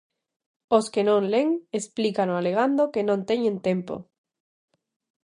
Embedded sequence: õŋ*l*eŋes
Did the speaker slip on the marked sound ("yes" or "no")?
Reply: no